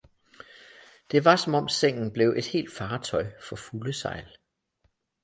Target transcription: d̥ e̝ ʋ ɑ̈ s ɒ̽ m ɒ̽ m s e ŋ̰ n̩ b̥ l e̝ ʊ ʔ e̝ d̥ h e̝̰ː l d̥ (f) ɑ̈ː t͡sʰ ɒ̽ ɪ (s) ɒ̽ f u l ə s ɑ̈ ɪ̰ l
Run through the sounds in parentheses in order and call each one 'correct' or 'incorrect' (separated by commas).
correct, incorrect